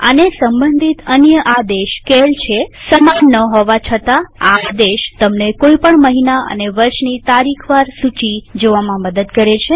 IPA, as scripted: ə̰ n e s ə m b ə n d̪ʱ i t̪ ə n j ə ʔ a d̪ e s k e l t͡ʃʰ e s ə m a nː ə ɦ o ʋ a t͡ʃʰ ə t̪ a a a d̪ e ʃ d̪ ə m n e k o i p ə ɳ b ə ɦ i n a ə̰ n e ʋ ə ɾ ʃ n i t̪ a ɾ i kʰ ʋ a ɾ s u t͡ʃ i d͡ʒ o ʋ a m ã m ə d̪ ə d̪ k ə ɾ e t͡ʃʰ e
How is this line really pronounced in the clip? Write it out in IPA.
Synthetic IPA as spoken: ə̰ n e s ə m b ə n d̪ʱ i t̪ ə n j ə ʔ a d̪ e ʃ k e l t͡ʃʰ e s ə m a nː ə ɦ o ʋ a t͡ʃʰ ə t̪ a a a d̪ e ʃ t̪ ə m n e k o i p ə ɳ m ə ɦ i n a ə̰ n e ʋ ə ɾ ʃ n i t̪ a ɾ i kʰ ʋ a ɾ s u t͡ʃ i d͡ʒ o ʋ a m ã m ə d̪ ə d̪ k ə ɾ e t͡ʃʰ e